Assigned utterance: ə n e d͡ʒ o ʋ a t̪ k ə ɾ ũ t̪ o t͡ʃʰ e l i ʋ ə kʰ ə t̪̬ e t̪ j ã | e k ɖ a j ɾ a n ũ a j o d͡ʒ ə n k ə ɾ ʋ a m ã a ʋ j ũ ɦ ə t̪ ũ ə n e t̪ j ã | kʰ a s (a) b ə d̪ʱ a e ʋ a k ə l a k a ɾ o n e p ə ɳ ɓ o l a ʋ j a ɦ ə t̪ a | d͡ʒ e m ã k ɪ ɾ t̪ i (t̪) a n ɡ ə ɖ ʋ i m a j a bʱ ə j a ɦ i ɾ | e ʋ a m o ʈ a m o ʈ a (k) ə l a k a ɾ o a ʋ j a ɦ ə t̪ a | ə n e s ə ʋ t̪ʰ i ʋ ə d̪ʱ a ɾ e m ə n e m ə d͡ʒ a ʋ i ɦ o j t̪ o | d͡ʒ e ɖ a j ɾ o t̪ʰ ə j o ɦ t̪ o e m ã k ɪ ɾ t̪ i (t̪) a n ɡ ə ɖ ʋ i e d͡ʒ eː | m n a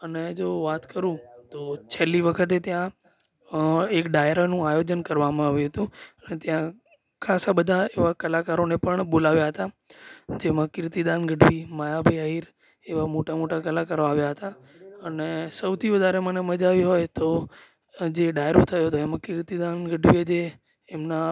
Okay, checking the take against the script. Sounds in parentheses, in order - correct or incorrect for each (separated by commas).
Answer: correct, incorrect, correct, incorrect